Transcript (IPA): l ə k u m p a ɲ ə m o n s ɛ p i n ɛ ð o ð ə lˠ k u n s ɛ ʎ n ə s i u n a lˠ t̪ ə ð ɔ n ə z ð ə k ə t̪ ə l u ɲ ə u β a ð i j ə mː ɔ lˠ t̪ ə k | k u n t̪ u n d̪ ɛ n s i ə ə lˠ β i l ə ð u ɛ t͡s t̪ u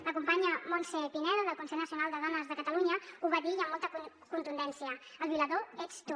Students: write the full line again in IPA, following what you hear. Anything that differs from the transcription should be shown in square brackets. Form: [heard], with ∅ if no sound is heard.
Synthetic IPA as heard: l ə k u m p a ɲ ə m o n s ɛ p i n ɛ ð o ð ə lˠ k u n s ɛ ʎ n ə s i u n a lˠ [d̪] ə ð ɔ n ə z ð ə k ə t̪ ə l u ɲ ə u β a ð i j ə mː ɔ lˠ t̪ ə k | k u n t̪ u n d̪ ɛ n s i ə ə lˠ β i l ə ð [o] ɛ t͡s t̪ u